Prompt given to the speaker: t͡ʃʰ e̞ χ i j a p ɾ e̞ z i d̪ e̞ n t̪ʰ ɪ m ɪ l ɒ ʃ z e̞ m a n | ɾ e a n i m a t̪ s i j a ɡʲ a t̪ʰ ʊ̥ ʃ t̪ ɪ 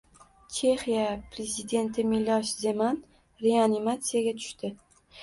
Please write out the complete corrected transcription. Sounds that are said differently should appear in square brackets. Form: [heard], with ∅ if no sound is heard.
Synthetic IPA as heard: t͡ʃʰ e̞ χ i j a p ɾ e̞ z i d̪ e̞ n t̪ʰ ɪ m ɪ l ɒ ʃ z e̞ m a n | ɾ e a n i m a t̪ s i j a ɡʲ a t̪ʰ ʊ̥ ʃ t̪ ɪ